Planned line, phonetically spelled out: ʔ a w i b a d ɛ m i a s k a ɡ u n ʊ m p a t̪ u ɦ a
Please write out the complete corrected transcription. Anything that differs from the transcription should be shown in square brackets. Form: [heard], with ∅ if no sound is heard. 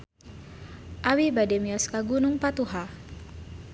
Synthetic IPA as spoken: ʔ a w i b a d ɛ m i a s k a ɡ u n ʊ [ŋ] p a t̪ u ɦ a